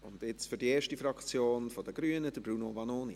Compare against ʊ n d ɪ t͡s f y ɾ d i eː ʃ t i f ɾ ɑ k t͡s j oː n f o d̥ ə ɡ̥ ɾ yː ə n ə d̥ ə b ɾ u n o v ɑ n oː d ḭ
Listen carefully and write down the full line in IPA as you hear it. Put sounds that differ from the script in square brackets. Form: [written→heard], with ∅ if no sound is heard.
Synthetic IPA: ʊ n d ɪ t͡s f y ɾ d i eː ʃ t i f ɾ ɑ k t͡s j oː n f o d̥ ə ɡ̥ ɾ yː ə n ə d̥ ə b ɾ u n o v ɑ n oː [d→n] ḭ